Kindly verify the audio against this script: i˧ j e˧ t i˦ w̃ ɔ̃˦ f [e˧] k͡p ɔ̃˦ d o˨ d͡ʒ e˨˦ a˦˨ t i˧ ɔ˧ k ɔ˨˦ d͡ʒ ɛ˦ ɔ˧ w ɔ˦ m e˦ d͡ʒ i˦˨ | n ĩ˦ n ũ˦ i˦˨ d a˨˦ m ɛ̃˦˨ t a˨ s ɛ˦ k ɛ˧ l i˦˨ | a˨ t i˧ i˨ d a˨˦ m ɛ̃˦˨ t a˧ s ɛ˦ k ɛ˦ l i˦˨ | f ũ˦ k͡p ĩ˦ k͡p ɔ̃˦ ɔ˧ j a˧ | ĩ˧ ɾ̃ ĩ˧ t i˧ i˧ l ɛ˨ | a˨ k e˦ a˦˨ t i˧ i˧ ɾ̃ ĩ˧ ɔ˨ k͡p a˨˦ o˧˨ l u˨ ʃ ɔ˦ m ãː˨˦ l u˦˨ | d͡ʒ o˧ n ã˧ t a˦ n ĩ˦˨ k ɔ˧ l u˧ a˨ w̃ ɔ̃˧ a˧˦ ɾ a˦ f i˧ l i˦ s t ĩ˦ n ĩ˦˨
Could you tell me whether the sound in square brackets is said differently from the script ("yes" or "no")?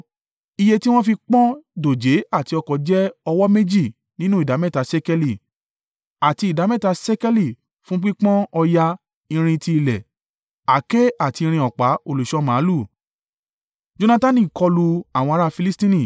yes